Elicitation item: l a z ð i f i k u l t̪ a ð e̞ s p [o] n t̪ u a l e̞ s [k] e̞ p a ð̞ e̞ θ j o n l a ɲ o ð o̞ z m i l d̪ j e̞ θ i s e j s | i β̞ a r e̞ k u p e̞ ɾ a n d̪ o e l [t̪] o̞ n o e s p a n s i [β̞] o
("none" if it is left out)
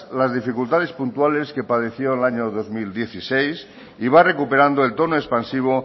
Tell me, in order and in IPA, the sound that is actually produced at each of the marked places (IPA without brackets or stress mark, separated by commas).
u, k, t̪, β̞